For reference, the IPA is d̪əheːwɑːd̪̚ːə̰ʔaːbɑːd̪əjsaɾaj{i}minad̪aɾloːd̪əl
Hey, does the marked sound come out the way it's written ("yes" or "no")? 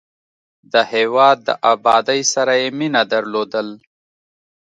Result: no